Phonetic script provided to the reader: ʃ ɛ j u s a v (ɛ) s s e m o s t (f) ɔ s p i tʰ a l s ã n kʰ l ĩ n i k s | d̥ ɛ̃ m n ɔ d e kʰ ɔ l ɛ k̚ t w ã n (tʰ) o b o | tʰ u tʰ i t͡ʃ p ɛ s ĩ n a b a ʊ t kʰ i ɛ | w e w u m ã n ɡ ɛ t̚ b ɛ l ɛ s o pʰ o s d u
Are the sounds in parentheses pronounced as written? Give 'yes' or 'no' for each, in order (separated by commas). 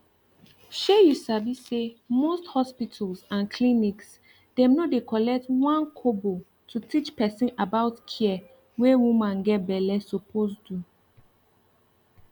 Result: no, no, no